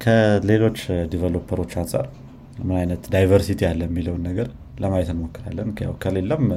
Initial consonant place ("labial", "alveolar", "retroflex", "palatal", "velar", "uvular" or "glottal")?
velar